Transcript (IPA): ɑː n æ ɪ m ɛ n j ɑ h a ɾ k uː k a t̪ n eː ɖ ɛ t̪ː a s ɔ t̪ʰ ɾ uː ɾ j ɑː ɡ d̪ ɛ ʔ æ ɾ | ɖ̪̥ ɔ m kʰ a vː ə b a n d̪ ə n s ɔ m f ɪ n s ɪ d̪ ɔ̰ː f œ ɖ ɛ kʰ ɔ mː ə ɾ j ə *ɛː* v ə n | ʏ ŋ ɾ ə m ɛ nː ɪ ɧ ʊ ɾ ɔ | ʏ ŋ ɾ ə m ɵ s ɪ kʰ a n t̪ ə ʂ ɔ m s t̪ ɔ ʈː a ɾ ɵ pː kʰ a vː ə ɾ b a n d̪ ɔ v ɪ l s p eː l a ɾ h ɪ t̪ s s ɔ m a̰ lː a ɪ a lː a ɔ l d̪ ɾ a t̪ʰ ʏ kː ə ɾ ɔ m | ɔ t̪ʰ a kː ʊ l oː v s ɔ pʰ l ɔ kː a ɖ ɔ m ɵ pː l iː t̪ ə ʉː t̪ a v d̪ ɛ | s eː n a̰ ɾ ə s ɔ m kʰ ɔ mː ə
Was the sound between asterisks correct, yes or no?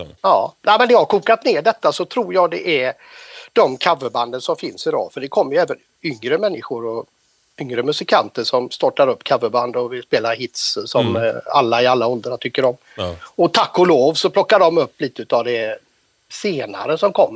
yes